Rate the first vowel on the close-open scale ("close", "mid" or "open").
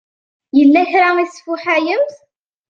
mid